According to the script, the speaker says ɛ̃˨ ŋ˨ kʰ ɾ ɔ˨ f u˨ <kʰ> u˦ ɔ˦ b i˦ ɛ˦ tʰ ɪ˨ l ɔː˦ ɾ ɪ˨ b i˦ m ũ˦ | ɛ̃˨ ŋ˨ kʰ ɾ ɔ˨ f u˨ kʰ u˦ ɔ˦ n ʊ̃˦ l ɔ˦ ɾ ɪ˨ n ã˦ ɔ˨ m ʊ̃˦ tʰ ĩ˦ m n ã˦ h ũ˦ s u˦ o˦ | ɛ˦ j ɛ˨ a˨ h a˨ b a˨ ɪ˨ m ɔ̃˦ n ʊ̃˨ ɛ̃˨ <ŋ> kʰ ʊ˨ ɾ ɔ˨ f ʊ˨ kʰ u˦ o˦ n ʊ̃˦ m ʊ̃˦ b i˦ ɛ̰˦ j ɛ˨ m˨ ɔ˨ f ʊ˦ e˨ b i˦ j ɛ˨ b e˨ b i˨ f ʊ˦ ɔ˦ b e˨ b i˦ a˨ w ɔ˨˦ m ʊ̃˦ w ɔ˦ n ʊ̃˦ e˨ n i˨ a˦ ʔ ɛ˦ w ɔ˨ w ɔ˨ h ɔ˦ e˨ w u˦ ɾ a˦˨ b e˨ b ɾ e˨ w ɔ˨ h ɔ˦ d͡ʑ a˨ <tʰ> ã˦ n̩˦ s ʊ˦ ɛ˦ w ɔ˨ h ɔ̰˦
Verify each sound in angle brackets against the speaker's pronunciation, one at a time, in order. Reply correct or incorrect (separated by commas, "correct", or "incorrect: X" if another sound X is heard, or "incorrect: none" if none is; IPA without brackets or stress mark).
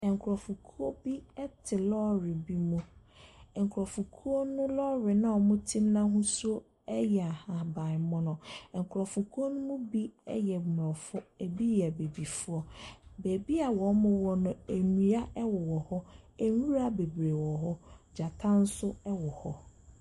correct, correct, correct